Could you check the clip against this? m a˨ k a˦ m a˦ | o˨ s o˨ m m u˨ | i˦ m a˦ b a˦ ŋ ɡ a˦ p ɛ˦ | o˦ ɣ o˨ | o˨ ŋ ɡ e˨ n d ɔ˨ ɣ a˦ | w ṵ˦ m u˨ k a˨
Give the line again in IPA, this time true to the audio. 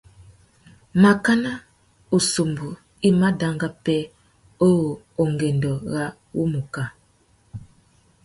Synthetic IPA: m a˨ k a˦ n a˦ | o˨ s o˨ m b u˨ | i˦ m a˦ d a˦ ŋ ɡ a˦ p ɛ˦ | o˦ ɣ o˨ | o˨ ŋ ɡ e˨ n d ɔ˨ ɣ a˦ | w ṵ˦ m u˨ k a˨

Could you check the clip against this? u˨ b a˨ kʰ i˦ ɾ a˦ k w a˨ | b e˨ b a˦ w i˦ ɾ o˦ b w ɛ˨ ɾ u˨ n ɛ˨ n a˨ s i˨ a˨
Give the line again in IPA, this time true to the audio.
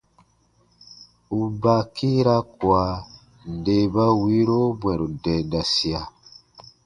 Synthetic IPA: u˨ b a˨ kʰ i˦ ɾ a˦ k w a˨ | d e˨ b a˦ w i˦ ɾ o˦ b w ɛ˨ ɾ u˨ d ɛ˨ d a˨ s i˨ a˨

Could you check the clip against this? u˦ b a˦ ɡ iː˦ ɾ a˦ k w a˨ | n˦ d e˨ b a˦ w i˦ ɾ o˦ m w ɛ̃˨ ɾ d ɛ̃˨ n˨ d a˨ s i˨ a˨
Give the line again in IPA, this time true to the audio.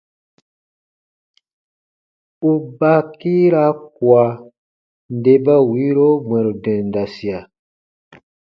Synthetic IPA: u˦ b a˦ k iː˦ ɾ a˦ k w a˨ | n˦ d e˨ b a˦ w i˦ ɾ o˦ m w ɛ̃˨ ɾ d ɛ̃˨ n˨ d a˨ s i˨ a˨

